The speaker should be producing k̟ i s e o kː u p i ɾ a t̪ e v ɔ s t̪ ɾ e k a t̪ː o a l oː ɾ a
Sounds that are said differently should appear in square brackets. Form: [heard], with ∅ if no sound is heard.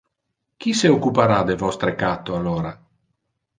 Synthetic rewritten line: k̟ i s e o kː u p [a] ɾ a [d̪] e v ɔ s t̪ ɾ e k a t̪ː o a l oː ɾ a